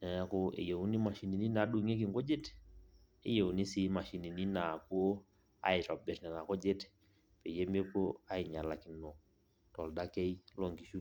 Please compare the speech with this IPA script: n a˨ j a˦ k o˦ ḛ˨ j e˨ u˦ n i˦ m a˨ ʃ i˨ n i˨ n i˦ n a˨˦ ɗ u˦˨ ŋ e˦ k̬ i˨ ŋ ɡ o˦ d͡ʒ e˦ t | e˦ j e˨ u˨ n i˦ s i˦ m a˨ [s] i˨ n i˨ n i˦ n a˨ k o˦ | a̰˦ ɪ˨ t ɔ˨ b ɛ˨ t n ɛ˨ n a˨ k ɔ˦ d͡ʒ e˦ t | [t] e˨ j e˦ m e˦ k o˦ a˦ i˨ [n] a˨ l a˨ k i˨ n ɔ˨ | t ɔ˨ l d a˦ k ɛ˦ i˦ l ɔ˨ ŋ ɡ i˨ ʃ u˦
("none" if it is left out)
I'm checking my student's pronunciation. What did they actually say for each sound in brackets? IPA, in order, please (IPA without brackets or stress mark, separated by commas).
ʃ, p, ɲ